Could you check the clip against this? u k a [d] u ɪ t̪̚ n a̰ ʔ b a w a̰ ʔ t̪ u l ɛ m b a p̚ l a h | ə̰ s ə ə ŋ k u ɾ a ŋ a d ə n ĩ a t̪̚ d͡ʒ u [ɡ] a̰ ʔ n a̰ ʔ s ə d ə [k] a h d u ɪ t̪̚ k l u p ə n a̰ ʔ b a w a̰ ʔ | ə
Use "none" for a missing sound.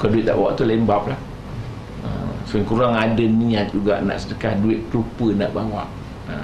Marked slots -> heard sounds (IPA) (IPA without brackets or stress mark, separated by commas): d, ɡ, k